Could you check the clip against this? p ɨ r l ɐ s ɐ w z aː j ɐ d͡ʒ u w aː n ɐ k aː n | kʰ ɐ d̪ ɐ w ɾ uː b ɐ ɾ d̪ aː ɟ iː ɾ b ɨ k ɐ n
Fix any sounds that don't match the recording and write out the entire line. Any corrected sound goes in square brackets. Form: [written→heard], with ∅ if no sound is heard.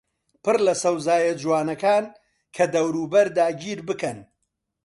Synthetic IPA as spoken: p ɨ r l ɐ s ɐ w z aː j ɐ d͡ʒ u w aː n ɐ k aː n | kʰ ɐ d̪ ɐ w ɾ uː b ɐ ɾ d̪ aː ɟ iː ɾ b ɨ k ɐ n